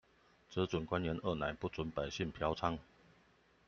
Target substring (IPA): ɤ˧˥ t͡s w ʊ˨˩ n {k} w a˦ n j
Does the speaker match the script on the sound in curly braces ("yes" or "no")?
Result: yes